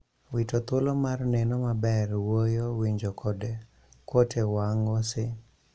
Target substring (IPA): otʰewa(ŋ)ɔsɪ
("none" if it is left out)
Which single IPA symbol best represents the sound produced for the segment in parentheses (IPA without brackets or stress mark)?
ŋ